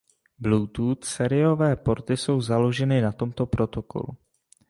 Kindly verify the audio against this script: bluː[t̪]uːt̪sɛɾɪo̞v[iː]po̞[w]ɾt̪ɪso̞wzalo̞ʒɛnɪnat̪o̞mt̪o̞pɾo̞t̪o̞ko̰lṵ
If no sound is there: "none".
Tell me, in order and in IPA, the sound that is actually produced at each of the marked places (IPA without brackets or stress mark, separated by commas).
t̪, ɛː, none